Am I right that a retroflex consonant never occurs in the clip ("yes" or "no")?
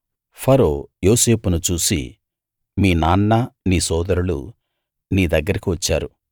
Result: yes